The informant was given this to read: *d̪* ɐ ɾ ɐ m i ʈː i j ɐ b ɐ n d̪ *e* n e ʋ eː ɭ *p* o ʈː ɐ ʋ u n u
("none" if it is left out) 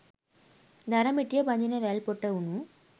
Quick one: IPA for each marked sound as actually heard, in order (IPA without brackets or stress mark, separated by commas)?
d̪, i, p